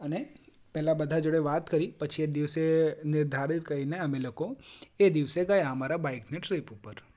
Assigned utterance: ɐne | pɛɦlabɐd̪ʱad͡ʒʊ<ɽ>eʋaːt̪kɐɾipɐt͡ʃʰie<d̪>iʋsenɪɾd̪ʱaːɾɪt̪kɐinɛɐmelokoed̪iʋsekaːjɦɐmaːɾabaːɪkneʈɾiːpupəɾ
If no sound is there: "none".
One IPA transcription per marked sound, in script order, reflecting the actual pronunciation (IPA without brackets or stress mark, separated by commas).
ɽ, d̪